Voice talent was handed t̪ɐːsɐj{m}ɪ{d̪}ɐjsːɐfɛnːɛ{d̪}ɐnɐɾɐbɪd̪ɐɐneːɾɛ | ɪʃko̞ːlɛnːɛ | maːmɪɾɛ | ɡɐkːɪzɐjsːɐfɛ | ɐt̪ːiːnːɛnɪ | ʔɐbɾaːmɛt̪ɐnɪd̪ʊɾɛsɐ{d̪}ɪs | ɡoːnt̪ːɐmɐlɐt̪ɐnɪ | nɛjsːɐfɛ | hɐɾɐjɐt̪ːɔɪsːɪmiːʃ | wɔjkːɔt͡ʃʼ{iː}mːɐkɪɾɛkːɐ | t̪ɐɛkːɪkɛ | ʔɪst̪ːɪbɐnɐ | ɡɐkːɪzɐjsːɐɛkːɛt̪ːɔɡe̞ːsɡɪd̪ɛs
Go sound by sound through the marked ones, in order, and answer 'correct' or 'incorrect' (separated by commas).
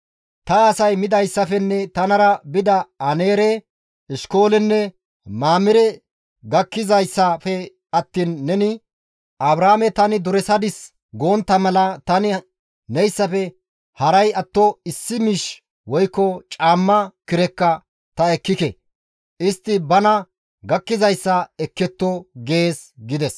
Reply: correct, correct, incorrect, correct, incorrect